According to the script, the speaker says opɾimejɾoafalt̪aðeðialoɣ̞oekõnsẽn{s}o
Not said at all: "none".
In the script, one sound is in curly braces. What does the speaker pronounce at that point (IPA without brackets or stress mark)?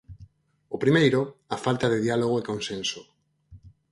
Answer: s